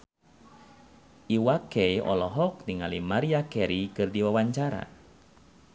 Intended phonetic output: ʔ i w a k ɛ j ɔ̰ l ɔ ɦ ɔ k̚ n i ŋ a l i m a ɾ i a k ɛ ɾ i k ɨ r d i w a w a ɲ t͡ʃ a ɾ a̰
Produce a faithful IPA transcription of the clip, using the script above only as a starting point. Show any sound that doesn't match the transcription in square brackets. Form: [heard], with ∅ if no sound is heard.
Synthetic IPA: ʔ i w a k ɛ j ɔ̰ l ɔ ɦ ɔ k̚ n i ŋ a l i m a ɾ i a k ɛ ɾ i k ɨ r d i w a w a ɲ t͡ʃ a ɾ a̰